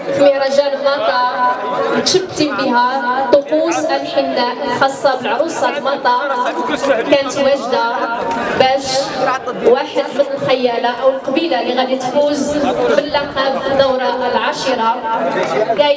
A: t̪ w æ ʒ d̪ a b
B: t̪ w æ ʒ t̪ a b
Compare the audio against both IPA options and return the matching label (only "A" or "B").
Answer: A